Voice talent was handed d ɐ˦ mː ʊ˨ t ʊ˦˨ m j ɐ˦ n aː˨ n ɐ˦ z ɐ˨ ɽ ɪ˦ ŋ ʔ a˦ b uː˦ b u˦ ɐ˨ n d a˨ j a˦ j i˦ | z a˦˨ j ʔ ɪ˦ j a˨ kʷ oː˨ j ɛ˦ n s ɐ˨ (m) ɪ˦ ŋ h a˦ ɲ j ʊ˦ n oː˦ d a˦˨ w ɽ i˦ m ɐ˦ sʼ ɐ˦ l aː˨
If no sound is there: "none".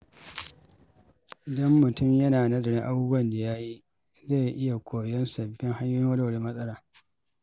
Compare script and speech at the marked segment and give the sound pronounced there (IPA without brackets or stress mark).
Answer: b